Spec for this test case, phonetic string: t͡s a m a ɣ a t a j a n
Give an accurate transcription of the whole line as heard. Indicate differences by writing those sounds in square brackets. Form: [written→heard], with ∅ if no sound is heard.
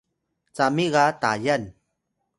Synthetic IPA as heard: t͡s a m [a→i] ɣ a t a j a n